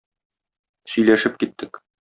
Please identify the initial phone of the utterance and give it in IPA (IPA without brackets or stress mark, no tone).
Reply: s